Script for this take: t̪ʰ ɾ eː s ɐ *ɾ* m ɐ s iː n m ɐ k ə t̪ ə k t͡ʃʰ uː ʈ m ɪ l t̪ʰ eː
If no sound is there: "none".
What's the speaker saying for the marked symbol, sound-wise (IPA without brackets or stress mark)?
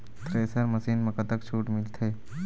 ɾ